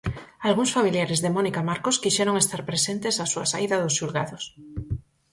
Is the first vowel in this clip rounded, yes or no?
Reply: no